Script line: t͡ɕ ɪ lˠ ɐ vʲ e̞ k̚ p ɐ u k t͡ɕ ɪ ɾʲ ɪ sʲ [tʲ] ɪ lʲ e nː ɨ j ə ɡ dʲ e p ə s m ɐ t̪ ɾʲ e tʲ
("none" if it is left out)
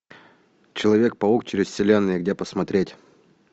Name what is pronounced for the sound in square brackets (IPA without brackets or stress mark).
sʲ